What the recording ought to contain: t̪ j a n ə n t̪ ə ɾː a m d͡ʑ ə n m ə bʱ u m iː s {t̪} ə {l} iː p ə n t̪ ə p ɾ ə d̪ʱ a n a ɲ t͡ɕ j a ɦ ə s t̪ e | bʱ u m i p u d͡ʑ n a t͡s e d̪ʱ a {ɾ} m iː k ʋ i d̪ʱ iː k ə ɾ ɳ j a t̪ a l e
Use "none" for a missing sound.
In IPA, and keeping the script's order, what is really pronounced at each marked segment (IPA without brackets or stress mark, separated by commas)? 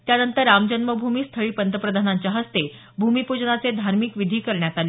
t̪ʰ, ɭ, ɾ